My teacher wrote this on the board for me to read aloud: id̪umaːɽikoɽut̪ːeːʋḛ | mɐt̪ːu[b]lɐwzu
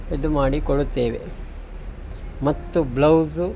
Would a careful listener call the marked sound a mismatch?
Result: no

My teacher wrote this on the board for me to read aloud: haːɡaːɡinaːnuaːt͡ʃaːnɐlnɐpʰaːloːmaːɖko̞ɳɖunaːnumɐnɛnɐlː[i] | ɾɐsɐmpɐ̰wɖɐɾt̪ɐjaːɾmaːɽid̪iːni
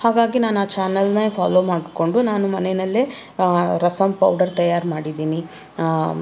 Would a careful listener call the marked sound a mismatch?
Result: yes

